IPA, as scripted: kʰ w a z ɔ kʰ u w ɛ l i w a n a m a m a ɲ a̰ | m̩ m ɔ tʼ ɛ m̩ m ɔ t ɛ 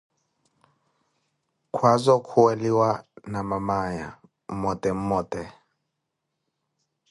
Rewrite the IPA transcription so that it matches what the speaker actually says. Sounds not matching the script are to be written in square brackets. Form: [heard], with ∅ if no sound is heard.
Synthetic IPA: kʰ w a z ɔ kʰ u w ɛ l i w a n a m a m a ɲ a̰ | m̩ m ɔ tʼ ɛ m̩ m ɔ t ɛ